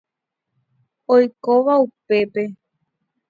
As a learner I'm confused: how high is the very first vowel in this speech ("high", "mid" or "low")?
mid